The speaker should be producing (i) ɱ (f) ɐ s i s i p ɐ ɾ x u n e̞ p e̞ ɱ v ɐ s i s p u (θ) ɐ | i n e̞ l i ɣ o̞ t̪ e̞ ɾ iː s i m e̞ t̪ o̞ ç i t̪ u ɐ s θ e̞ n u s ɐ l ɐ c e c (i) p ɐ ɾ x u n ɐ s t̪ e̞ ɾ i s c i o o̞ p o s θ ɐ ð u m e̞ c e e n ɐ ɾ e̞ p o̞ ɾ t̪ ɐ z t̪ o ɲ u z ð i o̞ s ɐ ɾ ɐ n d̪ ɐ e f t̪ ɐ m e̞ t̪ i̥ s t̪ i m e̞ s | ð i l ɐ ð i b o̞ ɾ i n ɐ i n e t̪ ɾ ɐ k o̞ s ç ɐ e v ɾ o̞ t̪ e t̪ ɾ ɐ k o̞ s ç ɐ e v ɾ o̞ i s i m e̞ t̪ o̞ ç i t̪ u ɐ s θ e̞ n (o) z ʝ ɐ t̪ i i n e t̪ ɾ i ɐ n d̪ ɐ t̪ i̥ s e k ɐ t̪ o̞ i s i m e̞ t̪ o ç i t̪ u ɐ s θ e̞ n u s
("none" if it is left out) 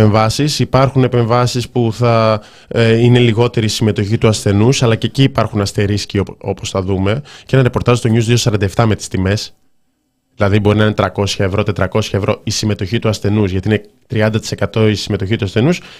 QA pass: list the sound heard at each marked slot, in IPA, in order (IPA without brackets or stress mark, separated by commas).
e, v, θ, iː, u